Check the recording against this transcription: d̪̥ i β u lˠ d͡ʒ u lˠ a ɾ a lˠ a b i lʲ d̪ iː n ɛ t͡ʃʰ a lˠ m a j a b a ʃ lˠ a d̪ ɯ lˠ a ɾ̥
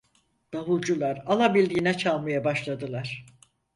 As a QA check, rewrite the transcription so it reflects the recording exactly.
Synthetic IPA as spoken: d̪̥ a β u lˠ d͡ʒ u lˠ a ɾ a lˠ a b i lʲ d̪ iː n ɛ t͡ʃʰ a lˠ m a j a b a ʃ lˠ a d̪ ɯ lˠ a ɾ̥